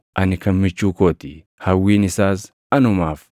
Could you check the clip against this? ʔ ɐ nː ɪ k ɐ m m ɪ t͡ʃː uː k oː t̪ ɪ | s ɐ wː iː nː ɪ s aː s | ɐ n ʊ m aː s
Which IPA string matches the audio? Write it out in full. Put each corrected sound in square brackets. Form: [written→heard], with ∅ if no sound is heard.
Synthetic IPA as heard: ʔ ɐ [nː→n] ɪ k ɐ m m ɪ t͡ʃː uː k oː t̪ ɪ | [s→h] ɐ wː iː [nː→n] ɪ s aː s | ɐ n ʊ m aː [s→f]